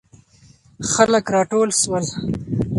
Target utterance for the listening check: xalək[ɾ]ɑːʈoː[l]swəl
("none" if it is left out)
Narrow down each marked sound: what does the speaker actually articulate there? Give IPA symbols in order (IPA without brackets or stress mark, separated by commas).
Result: ɾ, l